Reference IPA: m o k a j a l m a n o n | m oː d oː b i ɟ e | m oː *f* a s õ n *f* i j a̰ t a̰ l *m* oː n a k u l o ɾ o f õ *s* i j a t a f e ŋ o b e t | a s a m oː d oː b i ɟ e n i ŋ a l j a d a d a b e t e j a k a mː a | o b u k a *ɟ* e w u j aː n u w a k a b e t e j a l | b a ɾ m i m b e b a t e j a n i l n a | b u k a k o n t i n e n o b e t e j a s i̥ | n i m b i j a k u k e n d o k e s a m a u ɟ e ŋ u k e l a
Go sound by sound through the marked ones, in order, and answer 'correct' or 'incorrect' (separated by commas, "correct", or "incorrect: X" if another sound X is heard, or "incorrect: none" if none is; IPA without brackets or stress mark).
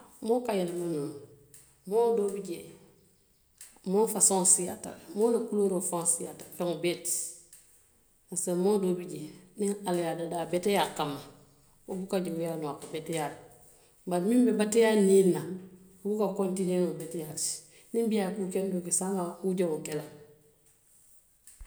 correct, incorrect: s, correct, correct, correct